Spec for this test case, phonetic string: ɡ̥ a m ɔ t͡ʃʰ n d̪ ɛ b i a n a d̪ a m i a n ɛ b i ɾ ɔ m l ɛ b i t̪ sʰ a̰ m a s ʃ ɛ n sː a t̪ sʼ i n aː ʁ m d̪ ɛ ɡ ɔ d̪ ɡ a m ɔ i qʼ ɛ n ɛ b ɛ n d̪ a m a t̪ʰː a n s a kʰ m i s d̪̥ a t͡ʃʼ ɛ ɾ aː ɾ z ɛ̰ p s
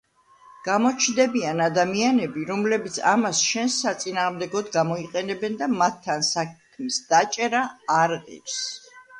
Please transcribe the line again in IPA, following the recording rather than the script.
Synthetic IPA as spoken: ɡ̥ a m ɔ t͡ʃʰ n d̪ ɛ b i a n a d̪ a m i a n ɛ b i ɾ ɔ m l ɛ b i t̪ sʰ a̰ m a s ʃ ɛ n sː a t̪ sʼ i n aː ʁ m d̪ ɛ ɡ ɔ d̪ ɡ a m ɔ i qʼ ɛ n ɛ b ɛ n d̪ a m a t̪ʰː a n s a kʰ m i s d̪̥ a t͡ʃʼ ɛ ɾ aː ɾ ʁ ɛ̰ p s